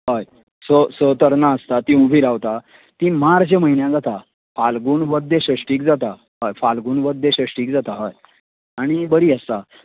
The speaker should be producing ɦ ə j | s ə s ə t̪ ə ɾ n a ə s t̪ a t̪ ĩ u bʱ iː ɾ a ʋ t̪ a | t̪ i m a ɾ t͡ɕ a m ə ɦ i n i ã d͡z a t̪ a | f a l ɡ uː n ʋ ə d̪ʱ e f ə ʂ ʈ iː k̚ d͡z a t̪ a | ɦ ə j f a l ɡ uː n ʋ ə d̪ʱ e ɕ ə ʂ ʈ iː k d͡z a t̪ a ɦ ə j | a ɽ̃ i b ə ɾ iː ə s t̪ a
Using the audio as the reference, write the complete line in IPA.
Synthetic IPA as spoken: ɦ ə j | s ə s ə t̪ ə ɾ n a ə s t̪ a t̪ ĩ u bʱ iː ɾ a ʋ t̪ a | t̪ i m a ɾ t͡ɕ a m ə ɦ i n j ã d͡z a t̪ a | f a l ɡ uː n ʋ ə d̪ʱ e ɕ ə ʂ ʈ iː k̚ d͡z a t̪ a | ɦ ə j f a l ɡ uː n ʋ ə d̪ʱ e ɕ ə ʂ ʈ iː k d͡z a t̪ a ɦ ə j | a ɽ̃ i b ə ɾ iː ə s t̪ a